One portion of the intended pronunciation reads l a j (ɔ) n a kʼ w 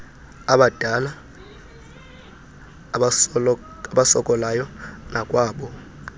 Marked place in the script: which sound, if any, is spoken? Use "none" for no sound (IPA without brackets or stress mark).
ɔ